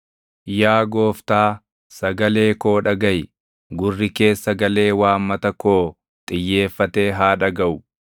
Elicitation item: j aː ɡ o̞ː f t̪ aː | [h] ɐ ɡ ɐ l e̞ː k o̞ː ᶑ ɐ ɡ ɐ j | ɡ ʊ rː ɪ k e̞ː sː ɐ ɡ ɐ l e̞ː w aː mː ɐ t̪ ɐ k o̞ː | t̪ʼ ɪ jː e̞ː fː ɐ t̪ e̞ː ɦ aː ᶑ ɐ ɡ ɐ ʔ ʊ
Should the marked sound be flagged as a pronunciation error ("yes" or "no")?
yes